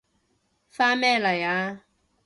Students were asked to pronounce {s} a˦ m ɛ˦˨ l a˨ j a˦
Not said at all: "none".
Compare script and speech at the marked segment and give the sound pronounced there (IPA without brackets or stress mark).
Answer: f